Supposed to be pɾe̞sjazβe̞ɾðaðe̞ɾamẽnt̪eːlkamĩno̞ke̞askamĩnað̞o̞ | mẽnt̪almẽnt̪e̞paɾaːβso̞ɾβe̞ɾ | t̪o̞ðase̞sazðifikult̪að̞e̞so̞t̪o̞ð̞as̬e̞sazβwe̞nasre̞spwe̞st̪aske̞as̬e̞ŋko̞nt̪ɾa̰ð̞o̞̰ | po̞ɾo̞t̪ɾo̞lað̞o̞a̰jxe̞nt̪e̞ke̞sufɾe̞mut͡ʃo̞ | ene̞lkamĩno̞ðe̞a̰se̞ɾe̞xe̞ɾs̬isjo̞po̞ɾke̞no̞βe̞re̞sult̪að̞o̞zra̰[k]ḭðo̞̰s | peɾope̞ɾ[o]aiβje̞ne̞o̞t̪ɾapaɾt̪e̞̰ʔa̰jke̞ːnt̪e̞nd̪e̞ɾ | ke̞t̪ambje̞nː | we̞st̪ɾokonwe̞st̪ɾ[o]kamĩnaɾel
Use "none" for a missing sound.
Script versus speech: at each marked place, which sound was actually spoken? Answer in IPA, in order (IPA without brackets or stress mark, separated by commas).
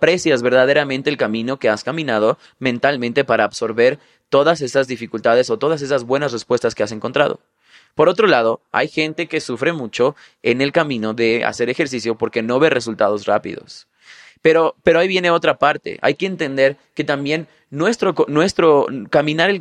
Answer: p, o, o